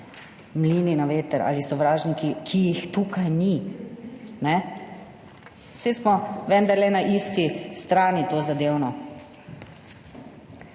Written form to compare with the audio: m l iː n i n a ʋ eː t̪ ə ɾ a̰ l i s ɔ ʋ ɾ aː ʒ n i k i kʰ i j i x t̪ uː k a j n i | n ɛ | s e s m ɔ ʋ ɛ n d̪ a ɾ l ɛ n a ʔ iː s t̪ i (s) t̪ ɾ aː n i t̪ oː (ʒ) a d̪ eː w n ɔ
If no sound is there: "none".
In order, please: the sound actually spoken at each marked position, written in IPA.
s, z

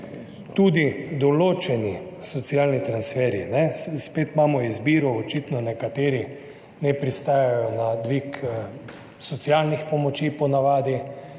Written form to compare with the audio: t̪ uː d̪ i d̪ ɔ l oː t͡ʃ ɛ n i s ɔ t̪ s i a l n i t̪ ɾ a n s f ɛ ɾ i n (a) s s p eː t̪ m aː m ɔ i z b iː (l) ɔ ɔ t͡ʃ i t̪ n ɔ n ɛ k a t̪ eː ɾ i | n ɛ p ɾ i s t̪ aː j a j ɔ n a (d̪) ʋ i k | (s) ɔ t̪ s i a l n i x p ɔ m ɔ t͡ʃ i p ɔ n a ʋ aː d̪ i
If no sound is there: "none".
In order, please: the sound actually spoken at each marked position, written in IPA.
ɛ, ɾ, d̪, s

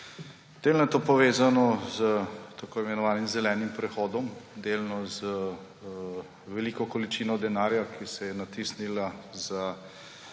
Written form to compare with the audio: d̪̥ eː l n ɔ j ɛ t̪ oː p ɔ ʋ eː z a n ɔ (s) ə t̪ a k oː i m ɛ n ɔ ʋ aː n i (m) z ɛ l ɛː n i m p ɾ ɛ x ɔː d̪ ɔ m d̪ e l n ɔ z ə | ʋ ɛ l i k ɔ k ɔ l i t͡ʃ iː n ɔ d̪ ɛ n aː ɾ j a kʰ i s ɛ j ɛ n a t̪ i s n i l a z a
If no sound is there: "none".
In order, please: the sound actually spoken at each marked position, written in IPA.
z, m

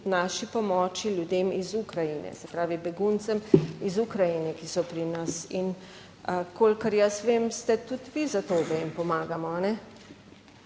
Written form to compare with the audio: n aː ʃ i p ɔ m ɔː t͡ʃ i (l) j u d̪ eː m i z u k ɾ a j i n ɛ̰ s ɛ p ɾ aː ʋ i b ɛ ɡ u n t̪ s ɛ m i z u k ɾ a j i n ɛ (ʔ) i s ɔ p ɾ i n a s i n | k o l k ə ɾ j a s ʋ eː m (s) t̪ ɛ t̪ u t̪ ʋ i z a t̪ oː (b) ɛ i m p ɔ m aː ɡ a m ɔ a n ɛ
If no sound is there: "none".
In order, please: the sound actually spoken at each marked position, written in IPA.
l, k, s, b

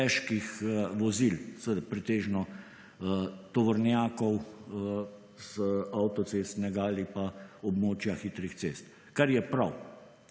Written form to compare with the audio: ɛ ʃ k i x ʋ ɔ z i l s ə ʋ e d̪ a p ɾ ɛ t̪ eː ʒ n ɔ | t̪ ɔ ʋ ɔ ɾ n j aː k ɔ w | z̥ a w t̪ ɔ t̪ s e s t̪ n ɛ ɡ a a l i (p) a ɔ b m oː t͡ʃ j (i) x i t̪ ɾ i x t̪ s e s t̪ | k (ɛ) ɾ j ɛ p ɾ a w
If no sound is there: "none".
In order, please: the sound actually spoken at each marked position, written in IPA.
p, a, a

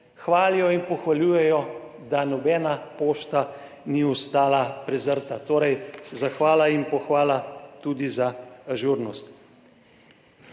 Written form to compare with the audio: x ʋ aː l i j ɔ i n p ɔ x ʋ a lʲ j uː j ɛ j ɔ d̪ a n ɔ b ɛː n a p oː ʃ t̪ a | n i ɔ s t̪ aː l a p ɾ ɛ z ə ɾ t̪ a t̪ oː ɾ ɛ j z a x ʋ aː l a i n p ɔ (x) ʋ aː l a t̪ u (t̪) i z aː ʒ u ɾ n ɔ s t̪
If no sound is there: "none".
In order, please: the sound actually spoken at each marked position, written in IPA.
x, d̪

